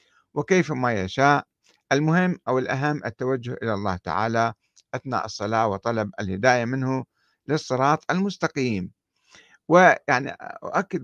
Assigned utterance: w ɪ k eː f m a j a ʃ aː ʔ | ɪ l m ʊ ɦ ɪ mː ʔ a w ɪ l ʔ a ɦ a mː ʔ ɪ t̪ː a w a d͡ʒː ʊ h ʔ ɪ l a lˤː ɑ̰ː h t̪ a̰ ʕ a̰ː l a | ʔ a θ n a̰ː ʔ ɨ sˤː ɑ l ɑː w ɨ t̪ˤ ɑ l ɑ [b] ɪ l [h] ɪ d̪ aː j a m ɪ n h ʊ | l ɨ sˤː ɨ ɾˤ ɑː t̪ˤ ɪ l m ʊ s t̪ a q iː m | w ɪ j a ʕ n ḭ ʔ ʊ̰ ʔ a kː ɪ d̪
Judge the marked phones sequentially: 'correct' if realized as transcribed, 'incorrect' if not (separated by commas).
correct, correct